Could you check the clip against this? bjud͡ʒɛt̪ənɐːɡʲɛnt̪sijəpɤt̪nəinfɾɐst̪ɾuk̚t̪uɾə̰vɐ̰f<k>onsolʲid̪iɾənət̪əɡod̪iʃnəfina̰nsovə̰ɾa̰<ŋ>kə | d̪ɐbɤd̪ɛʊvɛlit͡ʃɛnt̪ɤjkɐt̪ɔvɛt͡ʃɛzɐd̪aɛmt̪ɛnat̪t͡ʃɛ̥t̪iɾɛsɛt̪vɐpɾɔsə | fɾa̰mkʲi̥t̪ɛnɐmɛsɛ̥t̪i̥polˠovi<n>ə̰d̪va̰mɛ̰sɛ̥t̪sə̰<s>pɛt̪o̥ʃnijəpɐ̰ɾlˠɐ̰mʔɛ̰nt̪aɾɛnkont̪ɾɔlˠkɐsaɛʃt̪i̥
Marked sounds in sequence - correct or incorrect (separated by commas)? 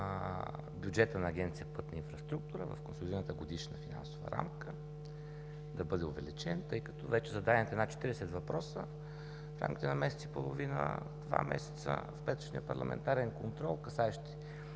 correct, incorrect, correct, incorrect